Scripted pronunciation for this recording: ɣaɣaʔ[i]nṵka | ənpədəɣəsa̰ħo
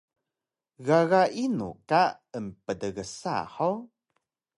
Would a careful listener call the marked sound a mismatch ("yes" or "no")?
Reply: no